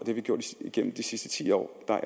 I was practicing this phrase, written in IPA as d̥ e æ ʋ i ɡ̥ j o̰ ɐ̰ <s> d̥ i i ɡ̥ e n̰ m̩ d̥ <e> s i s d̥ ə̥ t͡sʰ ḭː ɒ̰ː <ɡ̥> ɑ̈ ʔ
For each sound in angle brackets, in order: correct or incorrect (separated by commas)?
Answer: incorrect, incorrect, incorrect